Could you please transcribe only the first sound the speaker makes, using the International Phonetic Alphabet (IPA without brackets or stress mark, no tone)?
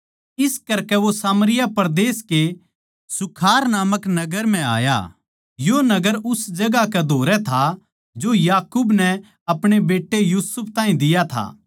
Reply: ɪ